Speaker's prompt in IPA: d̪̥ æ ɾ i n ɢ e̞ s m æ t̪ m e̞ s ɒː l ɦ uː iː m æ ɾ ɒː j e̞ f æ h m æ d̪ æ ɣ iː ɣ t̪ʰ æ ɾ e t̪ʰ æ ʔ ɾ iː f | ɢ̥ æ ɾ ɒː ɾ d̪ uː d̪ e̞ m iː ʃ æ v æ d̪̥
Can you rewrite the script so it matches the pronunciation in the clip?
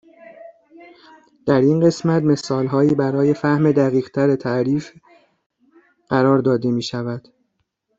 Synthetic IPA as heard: d̪̥ æ ɾ i n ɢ e̞ s m æ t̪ m e̞ s ɒː l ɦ ɒː iː b æ ɾ ɒː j e̞ f æ h m e d̪ æ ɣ iː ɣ t̪ʰ æ ɾ e t̪ʰ æ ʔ ɾ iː f | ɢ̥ æ ɾ ɒː ɾ d̪ ɒː d̪ e̞ m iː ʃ æ v æ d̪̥